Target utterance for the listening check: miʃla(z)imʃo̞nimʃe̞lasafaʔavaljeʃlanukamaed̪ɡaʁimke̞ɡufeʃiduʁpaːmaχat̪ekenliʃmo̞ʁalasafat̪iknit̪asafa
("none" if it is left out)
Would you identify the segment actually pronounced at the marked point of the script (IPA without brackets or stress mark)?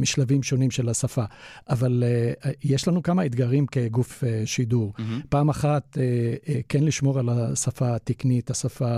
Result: v